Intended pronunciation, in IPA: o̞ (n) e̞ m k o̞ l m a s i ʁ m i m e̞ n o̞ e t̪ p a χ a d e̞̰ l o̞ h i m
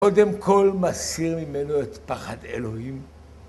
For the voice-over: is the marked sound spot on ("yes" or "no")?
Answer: no